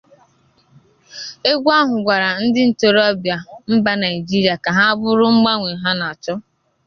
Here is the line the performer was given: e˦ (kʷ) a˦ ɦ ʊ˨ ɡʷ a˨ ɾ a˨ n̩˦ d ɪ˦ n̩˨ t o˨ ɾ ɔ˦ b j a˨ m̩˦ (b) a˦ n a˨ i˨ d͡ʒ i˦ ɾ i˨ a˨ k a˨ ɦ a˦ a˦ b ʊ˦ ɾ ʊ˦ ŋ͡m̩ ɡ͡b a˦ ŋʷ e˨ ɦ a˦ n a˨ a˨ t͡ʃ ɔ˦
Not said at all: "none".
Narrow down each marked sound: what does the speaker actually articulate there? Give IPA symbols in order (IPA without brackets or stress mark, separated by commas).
ɡʷ, b